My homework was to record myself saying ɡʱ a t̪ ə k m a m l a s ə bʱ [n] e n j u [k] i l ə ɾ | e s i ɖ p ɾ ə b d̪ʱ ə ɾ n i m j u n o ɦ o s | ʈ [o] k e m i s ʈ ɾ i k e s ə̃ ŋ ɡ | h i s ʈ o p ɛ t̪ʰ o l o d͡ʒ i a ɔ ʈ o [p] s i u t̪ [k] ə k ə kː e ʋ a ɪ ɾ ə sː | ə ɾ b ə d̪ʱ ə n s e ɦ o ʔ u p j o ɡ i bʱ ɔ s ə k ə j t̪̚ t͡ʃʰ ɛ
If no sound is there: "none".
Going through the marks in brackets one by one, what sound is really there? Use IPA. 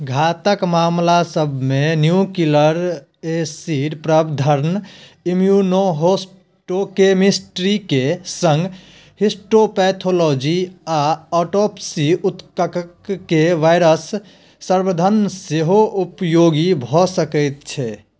m, k, o, p, k

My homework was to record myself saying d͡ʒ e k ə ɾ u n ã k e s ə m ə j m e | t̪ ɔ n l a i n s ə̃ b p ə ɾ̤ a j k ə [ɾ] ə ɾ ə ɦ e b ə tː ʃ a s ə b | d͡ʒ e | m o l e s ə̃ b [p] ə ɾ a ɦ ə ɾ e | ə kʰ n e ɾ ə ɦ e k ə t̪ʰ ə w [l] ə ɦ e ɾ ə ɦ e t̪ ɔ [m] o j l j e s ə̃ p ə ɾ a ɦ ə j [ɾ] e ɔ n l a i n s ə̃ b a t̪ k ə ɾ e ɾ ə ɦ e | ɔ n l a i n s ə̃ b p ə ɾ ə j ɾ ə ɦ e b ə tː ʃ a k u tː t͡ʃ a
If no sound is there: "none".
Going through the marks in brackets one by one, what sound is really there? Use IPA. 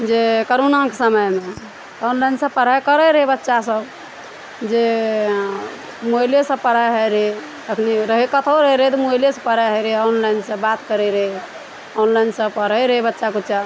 ɾ, p, ɾ, m, ɾ

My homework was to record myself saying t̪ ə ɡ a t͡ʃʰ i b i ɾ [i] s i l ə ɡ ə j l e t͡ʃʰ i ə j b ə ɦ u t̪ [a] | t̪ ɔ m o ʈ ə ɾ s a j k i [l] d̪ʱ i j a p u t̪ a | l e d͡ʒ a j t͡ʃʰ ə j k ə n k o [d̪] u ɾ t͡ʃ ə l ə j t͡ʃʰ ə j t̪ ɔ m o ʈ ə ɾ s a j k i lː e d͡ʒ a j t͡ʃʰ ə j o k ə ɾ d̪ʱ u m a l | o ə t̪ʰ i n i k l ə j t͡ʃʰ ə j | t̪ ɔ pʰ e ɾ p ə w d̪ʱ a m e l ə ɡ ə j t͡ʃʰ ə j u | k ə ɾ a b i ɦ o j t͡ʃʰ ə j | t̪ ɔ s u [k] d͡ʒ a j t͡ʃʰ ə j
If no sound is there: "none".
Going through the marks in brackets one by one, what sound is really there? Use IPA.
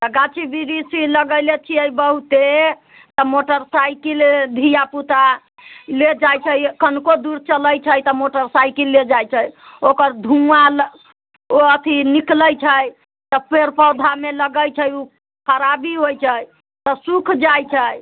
i, e, l, d̪, kʰ

